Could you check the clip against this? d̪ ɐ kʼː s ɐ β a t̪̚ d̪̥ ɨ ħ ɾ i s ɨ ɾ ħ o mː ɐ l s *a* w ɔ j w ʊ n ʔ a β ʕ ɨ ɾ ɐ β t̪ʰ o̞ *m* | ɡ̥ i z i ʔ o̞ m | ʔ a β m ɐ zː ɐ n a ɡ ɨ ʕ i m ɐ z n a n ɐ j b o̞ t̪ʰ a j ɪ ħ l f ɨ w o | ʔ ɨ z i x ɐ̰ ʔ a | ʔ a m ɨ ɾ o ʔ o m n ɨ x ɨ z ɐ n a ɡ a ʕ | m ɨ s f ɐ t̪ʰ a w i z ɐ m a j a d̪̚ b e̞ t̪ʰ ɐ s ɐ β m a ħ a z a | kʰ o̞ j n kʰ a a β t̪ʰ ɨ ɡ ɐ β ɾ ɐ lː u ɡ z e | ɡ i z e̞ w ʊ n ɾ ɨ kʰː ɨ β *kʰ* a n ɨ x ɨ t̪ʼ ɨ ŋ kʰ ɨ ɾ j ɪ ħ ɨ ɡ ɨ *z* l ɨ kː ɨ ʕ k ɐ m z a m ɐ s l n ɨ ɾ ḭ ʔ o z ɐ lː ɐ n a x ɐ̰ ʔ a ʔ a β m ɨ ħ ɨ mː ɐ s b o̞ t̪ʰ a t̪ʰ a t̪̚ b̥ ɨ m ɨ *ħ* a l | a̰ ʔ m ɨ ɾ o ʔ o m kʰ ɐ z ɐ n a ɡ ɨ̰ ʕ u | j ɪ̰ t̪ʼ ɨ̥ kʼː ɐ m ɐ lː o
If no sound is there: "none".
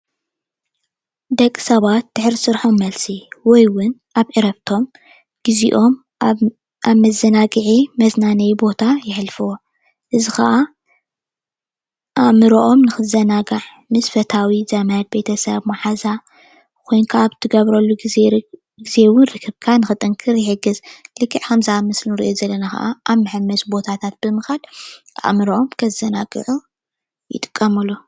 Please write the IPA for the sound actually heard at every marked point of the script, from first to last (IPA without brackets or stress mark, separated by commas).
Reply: i, m, kʰ, z, x